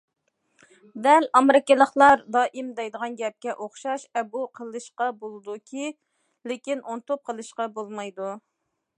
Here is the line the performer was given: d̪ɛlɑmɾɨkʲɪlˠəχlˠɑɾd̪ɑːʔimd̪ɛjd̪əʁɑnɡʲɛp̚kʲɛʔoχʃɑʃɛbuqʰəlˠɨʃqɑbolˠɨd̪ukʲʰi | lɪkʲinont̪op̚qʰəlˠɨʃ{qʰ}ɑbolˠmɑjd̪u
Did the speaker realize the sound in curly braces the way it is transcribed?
no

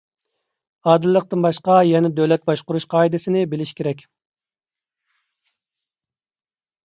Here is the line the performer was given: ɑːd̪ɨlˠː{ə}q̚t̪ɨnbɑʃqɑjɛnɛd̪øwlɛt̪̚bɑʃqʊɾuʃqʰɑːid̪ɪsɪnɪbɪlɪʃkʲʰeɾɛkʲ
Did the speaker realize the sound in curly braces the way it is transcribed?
yes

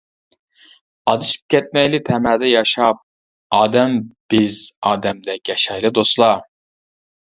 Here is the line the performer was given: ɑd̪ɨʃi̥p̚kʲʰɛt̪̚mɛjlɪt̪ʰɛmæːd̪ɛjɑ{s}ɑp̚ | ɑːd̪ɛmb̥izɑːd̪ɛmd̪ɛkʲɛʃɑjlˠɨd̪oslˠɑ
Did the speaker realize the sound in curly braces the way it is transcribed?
no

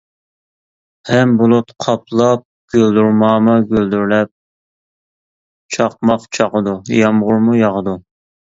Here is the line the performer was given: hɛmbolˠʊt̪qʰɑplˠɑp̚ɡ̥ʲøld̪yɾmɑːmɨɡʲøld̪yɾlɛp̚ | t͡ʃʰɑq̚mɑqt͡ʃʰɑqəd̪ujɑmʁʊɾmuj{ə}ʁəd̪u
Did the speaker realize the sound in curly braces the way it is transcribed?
no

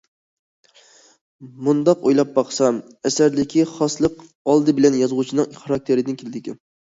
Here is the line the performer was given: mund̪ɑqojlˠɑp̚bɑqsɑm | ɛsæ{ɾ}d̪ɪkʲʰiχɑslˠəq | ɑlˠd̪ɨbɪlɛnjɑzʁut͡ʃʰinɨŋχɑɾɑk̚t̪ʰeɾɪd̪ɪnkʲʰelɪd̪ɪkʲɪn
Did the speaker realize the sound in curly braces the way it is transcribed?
yes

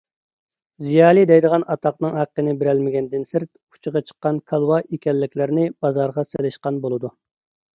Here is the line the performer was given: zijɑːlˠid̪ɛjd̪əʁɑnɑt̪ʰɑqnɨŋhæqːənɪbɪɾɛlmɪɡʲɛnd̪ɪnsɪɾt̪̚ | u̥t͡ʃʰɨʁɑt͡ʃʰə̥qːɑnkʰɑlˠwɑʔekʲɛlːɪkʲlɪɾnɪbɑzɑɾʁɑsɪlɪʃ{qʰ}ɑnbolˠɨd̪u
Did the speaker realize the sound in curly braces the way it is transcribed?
no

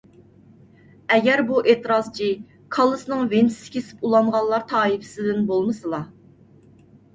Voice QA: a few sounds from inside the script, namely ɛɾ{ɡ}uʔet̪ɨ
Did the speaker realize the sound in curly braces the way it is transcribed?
no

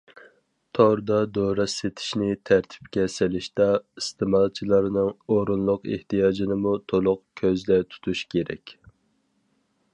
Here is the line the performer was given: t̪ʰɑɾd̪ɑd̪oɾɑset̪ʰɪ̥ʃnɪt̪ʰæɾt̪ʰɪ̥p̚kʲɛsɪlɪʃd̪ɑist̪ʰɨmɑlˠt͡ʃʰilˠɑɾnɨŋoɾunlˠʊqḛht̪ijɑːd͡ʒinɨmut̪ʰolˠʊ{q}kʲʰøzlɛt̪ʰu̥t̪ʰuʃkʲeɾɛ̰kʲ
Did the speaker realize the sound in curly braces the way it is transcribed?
yes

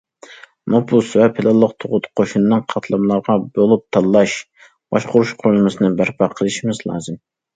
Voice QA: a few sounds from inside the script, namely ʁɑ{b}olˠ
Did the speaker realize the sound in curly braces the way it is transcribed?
yes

